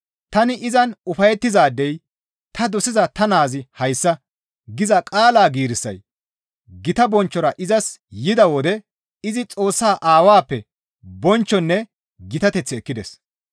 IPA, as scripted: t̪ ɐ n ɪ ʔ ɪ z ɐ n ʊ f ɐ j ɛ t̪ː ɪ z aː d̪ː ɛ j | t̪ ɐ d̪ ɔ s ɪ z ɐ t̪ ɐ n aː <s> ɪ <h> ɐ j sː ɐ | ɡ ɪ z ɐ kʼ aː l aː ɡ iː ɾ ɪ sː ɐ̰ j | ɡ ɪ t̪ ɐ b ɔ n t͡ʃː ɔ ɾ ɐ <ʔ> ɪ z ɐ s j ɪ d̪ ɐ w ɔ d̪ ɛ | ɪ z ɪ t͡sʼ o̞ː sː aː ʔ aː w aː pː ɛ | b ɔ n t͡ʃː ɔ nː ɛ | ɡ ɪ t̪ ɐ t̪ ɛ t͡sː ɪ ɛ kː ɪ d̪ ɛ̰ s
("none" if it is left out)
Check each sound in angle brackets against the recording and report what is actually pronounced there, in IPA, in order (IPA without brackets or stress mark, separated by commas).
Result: z, h, ʔ